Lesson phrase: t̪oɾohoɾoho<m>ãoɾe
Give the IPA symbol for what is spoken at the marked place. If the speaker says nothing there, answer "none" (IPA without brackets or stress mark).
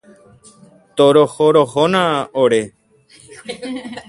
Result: n